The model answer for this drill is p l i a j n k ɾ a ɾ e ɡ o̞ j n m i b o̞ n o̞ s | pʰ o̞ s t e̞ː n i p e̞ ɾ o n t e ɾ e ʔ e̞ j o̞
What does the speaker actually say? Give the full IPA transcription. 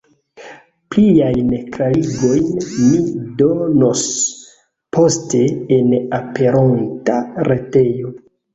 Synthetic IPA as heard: p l i a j n k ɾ a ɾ i ɡ o̞ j n m i d o̞ n o̞ s | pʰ o̞ s t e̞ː n a p e̞ ɾ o n t a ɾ e t e̞ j o̞